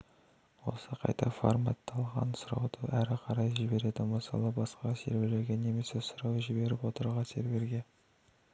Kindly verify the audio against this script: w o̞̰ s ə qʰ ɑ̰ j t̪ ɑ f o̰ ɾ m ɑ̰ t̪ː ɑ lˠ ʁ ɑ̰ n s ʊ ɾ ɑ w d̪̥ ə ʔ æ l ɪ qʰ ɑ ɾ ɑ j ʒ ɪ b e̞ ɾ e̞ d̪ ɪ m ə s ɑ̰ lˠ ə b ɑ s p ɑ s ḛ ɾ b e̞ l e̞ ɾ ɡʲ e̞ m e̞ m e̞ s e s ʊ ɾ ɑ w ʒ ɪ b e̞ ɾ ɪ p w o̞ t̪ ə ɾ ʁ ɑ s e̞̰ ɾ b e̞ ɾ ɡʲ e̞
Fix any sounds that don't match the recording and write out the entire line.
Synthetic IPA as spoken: w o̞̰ s ə qʰ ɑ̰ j t̪ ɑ f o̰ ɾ m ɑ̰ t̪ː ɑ lˠ ʁ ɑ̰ n s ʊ ɾ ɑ w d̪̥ ə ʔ æ ɾ ɪ qʰ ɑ ɾ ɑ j ʒ ɪ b e̞ ɾ e̞ d̪ ɪ m ə s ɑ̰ lˠ ə b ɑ s q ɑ s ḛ ɾ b e̞ l e̞ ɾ ɡʲ e̞ n e̞ m e̞ s e s ʊ ɾ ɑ w ʒ ɪ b e̞ ɾ ɪ p w o̞ t̪ ə ɾ ʁ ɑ s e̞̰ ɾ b e̞ ɾ ɡʲ e̞